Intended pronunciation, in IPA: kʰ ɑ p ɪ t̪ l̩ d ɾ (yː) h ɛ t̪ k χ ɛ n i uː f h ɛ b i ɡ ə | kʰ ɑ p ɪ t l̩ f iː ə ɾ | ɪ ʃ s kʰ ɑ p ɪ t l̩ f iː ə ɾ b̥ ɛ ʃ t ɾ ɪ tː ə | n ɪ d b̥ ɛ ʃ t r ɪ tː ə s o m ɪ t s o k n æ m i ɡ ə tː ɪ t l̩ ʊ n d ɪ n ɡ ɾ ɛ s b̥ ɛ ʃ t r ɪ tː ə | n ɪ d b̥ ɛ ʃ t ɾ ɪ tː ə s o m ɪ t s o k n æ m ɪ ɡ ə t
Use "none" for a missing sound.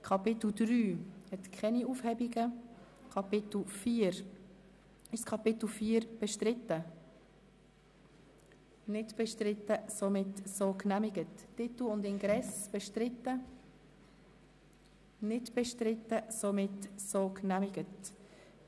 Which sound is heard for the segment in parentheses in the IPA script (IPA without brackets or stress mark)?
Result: yː